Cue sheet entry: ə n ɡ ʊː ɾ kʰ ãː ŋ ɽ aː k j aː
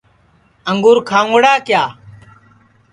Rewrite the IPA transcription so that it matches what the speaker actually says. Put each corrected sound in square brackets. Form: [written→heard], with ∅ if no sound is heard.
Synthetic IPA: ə [n→ŋ] ɡ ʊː ɾ kʰ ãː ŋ ɽ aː k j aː